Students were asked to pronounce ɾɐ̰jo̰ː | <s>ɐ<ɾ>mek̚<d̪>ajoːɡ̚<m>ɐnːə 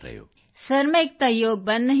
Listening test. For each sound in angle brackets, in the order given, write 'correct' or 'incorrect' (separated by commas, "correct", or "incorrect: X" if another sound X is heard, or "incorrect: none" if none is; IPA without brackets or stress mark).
correct, correct, incorrect: t̪, incorrect: b